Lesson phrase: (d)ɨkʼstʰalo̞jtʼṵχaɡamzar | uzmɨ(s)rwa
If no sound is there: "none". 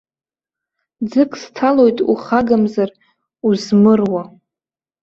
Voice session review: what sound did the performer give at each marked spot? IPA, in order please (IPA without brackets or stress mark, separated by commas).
d͡z, none